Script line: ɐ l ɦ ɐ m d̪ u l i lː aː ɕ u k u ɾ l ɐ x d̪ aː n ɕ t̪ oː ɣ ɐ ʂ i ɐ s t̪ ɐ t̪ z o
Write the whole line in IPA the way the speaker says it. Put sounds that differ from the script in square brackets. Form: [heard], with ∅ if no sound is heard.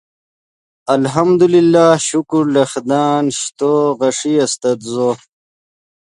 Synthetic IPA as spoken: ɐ l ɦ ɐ m d̪ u l i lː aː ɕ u k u ɾ l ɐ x d̪ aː n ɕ t̪ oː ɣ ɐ ʂ i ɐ s t̪ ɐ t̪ z o

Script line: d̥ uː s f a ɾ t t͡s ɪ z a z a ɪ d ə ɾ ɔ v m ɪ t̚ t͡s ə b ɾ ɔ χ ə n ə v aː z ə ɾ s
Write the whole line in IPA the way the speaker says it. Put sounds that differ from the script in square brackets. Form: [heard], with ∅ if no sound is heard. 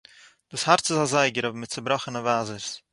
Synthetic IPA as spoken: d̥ uː s [h] a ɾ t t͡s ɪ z a z a ɪ [ɡ] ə ɾ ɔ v m ɪ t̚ t͡s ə b ɾ ɔ χ ə n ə v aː z ə ɾ s

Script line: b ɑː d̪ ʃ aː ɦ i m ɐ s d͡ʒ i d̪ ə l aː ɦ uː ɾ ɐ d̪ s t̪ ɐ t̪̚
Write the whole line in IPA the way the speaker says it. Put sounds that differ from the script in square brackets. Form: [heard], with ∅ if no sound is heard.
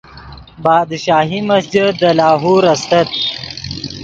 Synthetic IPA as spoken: b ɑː d̪ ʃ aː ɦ i m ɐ s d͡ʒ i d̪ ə l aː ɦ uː ɾ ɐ [∅] s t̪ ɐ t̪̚

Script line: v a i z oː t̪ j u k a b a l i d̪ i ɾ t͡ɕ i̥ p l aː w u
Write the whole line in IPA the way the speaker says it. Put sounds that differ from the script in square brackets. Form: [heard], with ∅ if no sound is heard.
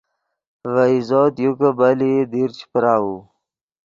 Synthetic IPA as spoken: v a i z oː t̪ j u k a b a l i d̪ i ɾ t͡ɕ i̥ p [ɾ] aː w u

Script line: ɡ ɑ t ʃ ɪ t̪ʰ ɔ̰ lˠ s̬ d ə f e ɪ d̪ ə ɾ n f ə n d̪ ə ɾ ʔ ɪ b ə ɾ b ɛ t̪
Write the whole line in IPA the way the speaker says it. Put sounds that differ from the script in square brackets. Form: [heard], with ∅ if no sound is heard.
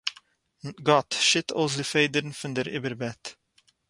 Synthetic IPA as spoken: ɡ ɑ t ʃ ɪ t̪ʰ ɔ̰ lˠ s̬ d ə f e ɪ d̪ ə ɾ n f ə n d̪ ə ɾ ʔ ɪ b ə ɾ b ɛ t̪

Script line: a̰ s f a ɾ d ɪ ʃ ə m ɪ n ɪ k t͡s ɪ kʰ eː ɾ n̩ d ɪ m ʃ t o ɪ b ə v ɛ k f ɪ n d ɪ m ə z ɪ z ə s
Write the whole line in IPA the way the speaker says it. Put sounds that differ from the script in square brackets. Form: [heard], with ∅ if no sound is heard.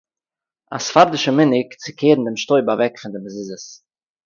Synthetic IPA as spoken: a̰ s f a ɾ d ɪ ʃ ə m ɪ n ɪ k t͡s ɪ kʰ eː ɾ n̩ d ɪ m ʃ t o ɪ b [a] v ɛ k f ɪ n d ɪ m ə z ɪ z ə s

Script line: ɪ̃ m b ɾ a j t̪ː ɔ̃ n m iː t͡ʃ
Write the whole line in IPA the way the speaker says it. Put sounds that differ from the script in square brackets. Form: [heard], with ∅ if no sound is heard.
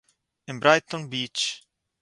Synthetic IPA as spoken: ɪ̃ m b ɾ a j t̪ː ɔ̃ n [b] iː t͡ʃ

